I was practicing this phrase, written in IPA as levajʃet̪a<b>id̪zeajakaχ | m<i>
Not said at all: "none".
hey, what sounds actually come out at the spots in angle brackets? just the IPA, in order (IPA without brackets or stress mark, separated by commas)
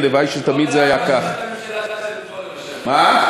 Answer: m, a